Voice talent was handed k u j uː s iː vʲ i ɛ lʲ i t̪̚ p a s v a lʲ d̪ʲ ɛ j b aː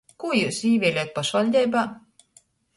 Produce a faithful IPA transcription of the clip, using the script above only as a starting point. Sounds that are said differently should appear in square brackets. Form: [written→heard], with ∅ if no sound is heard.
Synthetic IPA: k u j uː s iː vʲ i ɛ lʲ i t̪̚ p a [s→ʃ] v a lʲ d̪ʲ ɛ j b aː